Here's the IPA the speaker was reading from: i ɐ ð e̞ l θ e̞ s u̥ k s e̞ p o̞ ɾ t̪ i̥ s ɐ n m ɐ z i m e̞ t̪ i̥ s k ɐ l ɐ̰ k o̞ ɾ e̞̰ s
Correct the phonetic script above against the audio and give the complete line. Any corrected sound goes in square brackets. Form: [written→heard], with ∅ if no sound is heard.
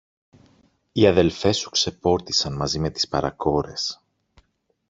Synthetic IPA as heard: i ɐ ð e̞ l [θ→f] e̞ s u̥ k s e̞ p o̞ ɾ t̪ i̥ s ɐ n m ɐ z i m e̞ t̪ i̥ s [k→p] ɐ [l→ɾ] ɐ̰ k o̞ ɾ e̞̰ s